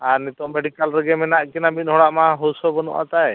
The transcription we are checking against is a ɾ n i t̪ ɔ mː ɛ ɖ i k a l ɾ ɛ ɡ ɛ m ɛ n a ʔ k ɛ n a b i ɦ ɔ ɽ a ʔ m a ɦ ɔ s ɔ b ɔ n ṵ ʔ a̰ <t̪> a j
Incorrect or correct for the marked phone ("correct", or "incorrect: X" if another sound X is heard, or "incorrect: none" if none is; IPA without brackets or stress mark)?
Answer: correct